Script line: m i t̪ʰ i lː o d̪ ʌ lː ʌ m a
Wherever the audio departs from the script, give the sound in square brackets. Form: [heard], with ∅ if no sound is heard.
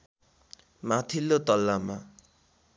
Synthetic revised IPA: m [a] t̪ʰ i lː o [t̪] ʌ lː [a] m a